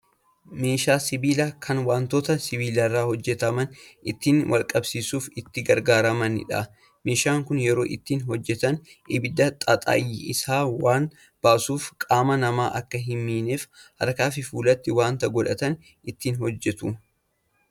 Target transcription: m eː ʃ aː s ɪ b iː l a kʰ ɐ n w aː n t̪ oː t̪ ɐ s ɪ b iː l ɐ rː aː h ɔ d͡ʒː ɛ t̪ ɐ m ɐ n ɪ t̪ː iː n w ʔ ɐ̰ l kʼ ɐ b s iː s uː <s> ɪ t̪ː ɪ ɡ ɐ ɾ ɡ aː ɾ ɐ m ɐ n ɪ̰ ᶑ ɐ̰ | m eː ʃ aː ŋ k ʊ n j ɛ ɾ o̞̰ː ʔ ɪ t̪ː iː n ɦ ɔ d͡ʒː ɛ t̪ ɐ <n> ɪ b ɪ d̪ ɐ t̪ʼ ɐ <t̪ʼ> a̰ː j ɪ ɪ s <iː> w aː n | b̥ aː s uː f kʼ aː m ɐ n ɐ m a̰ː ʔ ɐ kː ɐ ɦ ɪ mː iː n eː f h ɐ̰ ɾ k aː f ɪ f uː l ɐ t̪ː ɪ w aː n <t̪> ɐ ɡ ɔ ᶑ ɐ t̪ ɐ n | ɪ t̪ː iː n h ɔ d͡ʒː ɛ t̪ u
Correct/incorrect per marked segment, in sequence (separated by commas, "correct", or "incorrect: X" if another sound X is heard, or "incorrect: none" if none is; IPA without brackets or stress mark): incorrect: f, correct, correct, incorrect: aː, correct